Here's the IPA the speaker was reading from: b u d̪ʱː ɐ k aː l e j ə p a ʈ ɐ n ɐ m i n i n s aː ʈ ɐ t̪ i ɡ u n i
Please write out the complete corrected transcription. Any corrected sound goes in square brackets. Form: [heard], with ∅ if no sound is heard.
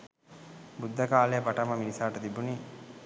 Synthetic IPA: b u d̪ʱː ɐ k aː l e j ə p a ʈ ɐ [m] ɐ m i n i [∅] s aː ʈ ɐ t̪ i [b] u n i